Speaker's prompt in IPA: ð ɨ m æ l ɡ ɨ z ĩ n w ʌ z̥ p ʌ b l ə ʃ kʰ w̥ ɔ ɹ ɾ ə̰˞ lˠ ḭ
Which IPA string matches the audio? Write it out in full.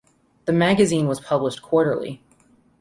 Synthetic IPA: ð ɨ m æ ɡ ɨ z ĩ n w ʌ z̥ pʰ ʌ b l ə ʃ kʰ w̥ ɔ ɹ ɾ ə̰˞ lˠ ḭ